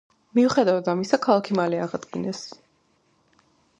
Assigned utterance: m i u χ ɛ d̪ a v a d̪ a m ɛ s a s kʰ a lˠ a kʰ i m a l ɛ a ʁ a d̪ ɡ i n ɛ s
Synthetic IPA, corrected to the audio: m i u χ ɛ d̪ a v a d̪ a m i s a kʰ a lˠ a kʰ i m a l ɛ a ʁ a d̪ ɡ i n ɛ s